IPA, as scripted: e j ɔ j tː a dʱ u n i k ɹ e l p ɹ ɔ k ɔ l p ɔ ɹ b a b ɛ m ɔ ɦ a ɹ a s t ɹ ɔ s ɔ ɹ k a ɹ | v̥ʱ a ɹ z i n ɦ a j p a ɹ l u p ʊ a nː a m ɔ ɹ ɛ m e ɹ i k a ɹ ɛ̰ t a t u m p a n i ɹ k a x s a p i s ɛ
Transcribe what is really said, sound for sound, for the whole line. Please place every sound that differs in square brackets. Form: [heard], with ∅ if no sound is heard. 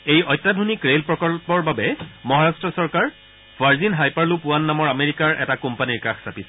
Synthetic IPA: e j ɔ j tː a dʱ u n i k ɹ e l p ɹ ɔ k ɔ l p ɔ ɹ b a b ɛ m ɔ ɦ a ɹ a s t ɹ ɔ s ɔ ɹ k a ɹ | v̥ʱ a ɹ z i n ɦ a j p a ɹ l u p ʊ a nː a m ɔ ɹ [a] m e ɹ i k a ɹ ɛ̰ t a [k] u m p a n i ɹ k a x s a p i s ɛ